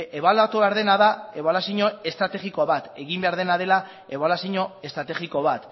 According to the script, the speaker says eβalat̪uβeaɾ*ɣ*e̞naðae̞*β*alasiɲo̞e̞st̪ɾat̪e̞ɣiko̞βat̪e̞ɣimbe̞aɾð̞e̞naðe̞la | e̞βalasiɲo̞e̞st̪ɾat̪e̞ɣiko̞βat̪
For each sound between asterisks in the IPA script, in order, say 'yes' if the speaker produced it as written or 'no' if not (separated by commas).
no, yes